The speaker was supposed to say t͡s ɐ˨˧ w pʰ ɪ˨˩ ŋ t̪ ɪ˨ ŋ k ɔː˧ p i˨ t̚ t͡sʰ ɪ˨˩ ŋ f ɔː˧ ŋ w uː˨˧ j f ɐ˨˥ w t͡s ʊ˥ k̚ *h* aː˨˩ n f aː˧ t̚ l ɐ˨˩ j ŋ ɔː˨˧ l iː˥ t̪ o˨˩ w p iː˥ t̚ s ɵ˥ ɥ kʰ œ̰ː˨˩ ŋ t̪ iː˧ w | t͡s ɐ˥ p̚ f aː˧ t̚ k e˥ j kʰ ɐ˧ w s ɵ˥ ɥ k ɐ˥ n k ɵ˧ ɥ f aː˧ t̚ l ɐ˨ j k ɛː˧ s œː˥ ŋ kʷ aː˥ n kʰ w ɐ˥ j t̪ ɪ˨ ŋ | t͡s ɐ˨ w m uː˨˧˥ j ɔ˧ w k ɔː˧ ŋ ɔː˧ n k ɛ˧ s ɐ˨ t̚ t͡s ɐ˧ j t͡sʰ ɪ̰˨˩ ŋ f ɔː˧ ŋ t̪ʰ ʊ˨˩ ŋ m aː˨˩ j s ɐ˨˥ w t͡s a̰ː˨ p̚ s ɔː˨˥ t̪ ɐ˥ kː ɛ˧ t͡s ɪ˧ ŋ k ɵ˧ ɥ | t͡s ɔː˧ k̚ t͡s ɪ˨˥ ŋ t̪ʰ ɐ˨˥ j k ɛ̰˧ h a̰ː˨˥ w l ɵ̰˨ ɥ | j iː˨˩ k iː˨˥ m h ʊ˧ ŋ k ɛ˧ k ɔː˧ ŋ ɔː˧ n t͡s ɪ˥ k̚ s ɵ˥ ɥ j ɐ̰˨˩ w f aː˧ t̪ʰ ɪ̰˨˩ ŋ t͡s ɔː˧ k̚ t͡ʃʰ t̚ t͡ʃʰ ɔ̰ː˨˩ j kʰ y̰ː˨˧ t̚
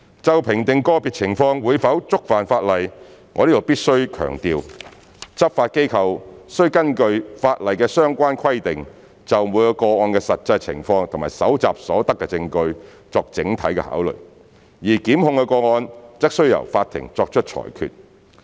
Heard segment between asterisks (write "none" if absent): f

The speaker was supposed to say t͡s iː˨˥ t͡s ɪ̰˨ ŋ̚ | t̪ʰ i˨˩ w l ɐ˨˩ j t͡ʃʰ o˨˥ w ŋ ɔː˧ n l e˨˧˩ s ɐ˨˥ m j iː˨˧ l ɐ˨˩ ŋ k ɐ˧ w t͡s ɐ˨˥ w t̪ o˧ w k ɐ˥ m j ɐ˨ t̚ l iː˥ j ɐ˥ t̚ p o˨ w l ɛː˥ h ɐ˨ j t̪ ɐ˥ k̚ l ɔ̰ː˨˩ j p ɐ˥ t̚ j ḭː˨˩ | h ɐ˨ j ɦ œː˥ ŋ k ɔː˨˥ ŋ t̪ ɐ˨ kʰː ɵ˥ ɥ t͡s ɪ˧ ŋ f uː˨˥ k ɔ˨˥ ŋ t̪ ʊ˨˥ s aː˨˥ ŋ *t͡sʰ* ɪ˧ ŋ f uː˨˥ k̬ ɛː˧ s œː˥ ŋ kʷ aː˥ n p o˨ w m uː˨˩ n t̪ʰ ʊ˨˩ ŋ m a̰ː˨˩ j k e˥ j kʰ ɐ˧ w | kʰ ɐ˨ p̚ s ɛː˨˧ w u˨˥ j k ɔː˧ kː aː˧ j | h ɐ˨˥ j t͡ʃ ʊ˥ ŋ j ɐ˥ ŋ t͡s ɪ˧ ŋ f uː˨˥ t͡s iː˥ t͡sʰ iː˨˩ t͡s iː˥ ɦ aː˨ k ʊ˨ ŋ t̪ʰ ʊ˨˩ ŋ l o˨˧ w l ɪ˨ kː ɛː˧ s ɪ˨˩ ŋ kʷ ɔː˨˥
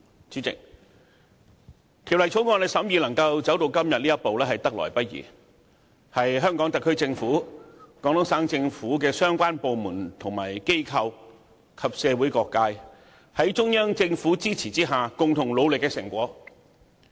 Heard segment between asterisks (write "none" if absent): t͡s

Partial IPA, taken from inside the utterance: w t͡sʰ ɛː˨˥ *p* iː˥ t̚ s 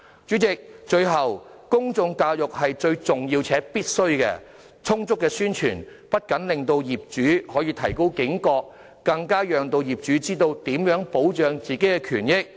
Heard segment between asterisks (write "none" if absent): p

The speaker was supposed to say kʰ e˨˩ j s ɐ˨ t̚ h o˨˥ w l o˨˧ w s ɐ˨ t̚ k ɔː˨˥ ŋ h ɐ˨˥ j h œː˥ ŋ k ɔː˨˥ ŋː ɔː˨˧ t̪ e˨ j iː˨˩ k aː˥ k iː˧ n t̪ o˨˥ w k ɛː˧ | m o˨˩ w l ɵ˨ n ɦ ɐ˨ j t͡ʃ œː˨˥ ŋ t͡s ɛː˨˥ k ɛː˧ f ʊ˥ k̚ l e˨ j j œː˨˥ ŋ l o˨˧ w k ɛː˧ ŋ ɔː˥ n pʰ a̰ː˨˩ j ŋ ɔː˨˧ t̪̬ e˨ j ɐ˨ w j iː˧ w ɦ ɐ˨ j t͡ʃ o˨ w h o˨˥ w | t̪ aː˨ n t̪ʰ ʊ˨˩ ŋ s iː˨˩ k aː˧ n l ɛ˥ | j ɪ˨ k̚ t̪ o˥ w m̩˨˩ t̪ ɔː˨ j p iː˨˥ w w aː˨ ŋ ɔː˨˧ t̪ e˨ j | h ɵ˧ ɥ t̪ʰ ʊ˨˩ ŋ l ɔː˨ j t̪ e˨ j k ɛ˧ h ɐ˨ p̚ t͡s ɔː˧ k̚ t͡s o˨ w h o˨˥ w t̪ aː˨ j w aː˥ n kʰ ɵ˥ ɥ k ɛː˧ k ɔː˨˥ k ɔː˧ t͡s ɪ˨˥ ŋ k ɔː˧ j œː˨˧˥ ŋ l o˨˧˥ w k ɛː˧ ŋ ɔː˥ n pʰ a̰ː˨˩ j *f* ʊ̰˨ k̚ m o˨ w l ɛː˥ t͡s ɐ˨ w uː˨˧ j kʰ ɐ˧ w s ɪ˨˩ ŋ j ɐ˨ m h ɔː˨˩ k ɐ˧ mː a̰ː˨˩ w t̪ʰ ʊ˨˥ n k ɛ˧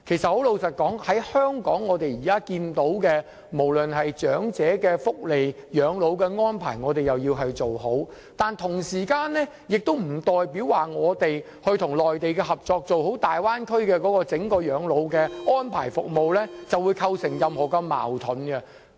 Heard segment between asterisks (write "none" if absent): f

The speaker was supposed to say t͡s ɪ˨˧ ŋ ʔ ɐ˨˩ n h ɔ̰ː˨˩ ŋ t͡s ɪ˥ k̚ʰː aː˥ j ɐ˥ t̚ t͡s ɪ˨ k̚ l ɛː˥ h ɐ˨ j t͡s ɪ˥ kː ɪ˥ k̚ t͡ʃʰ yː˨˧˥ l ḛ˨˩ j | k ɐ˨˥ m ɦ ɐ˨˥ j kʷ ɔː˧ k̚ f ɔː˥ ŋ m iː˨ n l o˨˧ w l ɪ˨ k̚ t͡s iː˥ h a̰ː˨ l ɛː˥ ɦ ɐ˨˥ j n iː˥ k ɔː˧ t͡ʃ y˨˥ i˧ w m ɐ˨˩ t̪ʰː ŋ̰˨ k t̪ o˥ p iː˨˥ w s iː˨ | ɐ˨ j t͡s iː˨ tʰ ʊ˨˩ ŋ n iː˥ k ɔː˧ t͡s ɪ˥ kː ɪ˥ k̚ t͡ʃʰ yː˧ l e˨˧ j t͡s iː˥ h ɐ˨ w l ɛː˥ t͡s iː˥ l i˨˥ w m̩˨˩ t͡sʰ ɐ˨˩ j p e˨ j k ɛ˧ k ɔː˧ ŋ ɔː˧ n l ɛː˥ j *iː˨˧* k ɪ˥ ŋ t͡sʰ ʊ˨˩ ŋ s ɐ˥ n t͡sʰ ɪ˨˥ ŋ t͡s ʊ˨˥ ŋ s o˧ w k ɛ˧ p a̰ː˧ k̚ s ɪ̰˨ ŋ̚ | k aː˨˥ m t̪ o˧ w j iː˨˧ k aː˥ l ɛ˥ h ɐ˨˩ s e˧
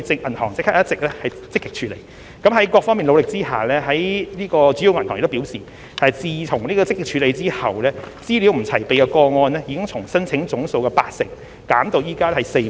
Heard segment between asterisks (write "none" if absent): i˨˧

